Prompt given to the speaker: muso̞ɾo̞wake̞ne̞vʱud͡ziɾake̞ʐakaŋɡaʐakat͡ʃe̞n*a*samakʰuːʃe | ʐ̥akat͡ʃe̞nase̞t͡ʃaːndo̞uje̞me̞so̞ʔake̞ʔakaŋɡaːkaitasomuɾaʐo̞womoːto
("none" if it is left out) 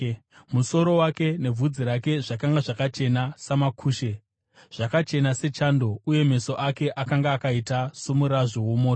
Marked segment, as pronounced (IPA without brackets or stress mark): a